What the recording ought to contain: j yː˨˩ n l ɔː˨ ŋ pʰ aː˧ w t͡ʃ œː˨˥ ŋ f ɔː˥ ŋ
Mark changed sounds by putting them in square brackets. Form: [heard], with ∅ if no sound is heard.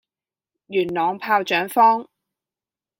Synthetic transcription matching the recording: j yː˨˩ n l ɔː˨ ŋ pʰ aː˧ w t͡ʃ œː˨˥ ŋ f ɔː˥ ŋ